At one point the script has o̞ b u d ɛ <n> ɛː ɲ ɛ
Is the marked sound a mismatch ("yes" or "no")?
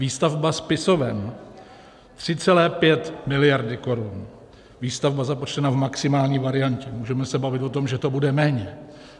yes